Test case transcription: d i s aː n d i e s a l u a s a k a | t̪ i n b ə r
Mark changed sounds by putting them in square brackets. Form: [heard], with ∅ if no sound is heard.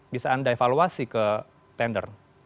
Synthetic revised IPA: [b] i s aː n d [a] e [f] a l u a s [i] k [ə] | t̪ [ɛ] n [d] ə r